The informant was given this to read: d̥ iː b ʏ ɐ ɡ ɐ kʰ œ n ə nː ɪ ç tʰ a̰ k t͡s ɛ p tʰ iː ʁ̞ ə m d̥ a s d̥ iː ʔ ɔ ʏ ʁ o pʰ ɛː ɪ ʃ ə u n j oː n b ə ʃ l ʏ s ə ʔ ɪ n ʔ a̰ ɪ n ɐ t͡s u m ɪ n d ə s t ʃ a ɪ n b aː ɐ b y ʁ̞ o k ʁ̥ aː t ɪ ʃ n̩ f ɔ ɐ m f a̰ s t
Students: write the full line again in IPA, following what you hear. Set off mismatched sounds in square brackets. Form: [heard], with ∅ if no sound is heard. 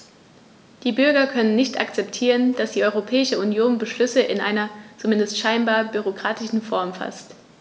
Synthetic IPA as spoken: d̥ iː b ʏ ɐ ɡ ɐ kʰ œ n ə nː ɪ ç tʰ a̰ k t͡s ɛ p tʰ iː ʁ̞ ə [n] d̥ a s d̥ iː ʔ ɔ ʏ ʁ o pʰ ɛː ɪ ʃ ə u n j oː n b ə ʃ l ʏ s ə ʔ ɪ n ʔ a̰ ɪ n ɐ t͡s u m ɪ n d ə s t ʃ a ɪ n b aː ɐ b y ʁ̞ o k ʁ̥ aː t ɪ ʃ n̩ f ɔ ɐ m f a̰ s t